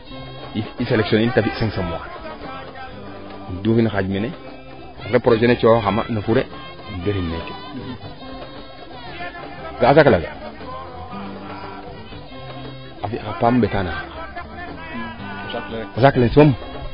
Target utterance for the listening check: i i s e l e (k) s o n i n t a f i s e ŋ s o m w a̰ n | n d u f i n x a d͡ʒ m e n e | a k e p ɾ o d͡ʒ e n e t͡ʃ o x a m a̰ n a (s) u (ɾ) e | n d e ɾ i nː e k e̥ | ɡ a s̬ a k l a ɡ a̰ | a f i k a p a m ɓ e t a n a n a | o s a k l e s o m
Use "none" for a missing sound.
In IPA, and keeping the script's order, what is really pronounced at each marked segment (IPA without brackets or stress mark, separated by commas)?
k, f, ɾ